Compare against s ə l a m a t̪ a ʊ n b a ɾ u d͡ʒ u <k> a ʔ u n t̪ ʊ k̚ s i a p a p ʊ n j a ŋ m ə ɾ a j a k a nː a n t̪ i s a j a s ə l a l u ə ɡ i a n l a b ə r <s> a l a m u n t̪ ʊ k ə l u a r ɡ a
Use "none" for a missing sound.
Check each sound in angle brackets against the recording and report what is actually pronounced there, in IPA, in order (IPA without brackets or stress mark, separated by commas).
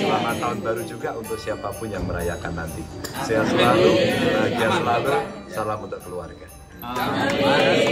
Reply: ɡ, s